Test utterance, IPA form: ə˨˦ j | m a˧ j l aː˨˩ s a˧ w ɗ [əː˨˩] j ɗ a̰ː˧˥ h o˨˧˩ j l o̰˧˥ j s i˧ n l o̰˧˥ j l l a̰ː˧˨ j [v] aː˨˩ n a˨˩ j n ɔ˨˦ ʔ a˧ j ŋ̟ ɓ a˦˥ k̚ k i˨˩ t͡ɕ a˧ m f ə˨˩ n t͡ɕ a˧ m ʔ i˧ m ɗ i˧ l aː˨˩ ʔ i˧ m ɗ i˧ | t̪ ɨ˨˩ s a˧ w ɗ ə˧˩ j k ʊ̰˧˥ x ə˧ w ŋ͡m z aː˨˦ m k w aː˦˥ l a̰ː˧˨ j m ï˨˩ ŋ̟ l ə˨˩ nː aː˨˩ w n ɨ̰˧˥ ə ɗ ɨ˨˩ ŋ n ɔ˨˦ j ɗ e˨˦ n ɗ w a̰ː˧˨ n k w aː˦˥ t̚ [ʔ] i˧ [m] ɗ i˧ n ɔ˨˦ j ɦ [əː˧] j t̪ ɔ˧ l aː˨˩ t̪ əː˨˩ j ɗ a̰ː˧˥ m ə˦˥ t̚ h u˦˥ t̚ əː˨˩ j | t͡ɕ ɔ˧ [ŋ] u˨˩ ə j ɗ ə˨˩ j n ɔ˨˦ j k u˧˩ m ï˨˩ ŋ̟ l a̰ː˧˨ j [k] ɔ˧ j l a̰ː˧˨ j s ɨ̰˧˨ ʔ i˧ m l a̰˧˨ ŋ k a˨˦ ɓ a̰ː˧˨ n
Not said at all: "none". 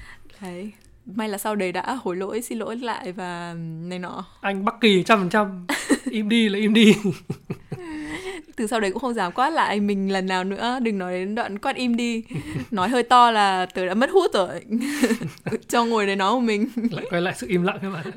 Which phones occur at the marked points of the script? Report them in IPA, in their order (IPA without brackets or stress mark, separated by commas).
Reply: ə˨˩, v, ʔ, m, əː˧, ŋ, k